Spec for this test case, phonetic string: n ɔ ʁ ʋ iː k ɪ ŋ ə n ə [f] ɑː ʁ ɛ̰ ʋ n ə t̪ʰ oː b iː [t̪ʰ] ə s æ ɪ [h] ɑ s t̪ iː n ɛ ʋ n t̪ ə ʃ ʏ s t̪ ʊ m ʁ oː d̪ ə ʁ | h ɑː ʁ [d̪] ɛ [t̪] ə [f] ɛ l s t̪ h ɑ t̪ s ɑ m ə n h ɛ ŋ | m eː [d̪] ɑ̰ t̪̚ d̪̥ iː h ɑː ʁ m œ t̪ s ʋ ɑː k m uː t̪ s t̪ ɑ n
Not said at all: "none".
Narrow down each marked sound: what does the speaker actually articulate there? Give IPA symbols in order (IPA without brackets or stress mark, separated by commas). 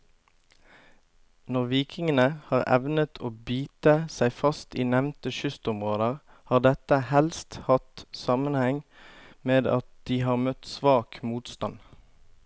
h, t̪, f, d̪, t̪, h, d̪